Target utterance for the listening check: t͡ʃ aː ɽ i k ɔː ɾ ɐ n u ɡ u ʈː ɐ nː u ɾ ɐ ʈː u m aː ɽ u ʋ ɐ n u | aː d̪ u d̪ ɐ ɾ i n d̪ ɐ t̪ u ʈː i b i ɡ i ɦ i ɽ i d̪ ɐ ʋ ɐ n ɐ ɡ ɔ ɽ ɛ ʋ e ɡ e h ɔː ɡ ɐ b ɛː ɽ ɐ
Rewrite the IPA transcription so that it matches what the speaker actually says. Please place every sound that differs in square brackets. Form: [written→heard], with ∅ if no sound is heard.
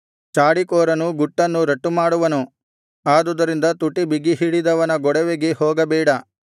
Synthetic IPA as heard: t͡ʃ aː ɽ i k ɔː ɾ ɐ n u ɡ u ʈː ɐ nː u ɾ ɐ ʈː u m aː ɽ u ʋ ɐ n u | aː d̪ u d̪ ɐ ɾ i n d̪ ɐ t̪ u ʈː i b i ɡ i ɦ i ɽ i d̪ ɐ ʋ ɐ n ɐ ɡ ɔ ɽ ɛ ʋ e ɡ e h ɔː ɡ ɐ b ɛː ɽ ɐ